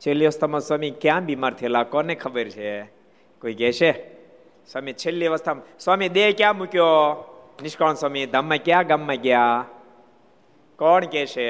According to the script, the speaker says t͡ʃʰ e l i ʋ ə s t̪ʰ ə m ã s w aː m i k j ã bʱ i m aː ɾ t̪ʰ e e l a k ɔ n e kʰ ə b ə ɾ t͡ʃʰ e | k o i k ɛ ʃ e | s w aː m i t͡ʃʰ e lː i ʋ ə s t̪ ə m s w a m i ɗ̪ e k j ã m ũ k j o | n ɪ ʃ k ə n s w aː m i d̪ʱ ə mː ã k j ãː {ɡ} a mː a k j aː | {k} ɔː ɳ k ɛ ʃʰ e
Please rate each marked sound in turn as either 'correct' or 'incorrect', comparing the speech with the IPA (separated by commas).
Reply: correct, correct